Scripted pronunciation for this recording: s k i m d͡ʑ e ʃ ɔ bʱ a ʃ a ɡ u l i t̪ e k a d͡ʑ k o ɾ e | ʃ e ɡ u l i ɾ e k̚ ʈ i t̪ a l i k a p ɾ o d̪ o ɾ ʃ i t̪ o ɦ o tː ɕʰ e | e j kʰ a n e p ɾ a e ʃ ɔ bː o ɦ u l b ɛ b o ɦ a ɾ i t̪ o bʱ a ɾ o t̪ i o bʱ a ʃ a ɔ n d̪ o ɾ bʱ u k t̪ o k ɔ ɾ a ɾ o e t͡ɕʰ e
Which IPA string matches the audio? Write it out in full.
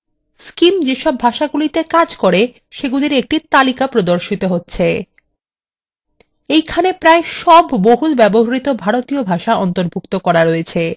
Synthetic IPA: s k i m d͡ʑ e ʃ ɔ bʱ a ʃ a ɡ u l i t̪ e k a d͡ʑ k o ɾ e | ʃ e ɡ u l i ɾ e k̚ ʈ i t̪ a l i k a p ɾ o d̪ o ɾ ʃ i t̪ o ɦ o tː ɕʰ e | e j kʰ a n e p ɾ a e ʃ ɔ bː o ɦ u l b ɛ b o ɦ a ɾ i t̪ o bʱ a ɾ o t̪ i o bʱ a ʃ a ɔ n t̪ o ɾ bʱ u k t̪ o k ɔ ɾ a ɾ o e t͡ɕʰ e